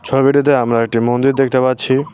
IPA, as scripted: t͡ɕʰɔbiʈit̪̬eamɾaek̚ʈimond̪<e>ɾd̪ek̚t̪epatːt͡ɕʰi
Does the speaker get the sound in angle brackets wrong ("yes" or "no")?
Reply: yes